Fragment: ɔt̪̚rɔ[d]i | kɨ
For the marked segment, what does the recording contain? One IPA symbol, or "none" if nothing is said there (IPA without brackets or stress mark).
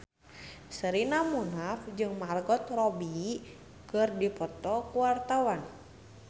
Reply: b